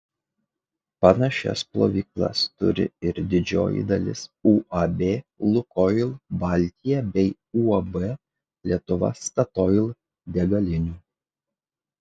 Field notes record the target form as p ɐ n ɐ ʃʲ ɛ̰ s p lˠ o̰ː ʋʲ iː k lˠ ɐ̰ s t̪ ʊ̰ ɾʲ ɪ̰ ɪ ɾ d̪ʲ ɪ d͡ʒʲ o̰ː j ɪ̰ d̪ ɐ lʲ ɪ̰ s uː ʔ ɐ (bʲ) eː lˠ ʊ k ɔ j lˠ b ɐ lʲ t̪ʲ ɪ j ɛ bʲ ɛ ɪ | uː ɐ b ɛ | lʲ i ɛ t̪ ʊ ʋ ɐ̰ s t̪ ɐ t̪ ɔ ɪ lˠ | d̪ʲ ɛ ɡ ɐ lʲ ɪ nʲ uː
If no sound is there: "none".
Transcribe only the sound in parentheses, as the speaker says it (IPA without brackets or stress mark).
bʲ